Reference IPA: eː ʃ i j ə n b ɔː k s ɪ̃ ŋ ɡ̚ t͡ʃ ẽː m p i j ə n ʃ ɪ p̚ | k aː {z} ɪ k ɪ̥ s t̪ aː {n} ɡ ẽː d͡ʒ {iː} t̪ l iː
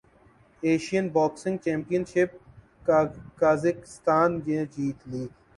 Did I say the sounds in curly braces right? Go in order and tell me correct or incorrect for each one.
correct, correct, correct

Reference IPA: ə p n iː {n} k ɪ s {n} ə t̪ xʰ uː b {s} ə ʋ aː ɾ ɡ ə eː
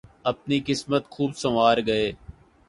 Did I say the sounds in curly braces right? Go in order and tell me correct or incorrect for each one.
incorrect: none, incorrect: m, correct

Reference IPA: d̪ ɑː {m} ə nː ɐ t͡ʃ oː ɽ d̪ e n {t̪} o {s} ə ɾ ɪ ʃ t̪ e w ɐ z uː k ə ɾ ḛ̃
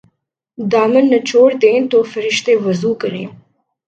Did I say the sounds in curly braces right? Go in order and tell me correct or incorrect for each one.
correct, correct, incorrect: f

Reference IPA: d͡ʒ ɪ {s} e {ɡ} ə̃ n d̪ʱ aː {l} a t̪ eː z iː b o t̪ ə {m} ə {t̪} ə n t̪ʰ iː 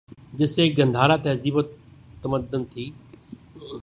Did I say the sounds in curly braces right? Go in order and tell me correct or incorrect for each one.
correct, correct, incorrect: ɾ, correct, incorrect: d̪

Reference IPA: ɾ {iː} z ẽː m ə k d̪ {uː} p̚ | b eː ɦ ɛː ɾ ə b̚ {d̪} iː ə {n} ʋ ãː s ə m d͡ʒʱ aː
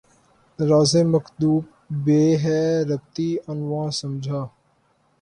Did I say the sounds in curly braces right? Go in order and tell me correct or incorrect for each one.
incorrect: aː, correct, incorrect: t̪, correct

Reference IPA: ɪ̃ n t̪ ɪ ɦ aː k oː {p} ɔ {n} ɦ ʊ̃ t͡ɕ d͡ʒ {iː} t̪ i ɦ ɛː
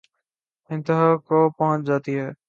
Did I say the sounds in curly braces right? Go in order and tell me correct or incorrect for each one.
correct, incorrect: none, incorrect: aː

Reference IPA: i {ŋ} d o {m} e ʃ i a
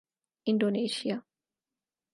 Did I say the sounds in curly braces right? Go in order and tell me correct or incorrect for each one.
incorrect: n, incorrect: n

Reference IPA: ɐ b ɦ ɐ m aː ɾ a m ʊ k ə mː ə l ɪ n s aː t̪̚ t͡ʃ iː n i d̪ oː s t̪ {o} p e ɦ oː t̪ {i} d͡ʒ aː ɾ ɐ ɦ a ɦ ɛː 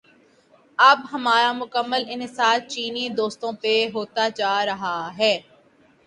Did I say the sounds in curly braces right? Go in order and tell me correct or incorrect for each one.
incorrect: õ, incorrect: a

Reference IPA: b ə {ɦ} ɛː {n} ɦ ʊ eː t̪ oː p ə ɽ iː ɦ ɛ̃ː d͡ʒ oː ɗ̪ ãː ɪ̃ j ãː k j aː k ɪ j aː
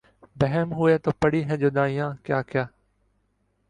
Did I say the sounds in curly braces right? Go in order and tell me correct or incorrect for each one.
correct, incorrect: m

